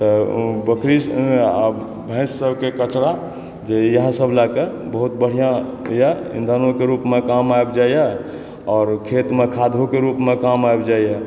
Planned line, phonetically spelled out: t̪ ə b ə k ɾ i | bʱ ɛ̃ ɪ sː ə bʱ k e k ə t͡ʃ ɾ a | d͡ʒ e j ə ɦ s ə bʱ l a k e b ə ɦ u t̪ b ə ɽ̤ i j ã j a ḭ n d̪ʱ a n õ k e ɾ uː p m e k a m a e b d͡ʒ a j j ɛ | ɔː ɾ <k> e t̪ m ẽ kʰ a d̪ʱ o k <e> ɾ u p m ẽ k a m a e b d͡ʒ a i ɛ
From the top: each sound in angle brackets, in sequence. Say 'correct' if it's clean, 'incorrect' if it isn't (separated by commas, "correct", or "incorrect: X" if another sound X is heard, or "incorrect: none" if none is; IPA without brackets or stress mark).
incorrect: kʰ, correct